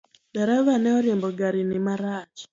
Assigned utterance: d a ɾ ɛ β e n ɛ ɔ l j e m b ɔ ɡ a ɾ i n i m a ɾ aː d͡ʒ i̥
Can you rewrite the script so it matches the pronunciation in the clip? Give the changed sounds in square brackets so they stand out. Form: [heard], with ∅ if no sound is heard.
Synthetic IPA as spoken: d a ɾ [a] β [a] n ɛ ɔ [ɾ] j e m b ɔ ɡ a ɾ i n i m a ɾ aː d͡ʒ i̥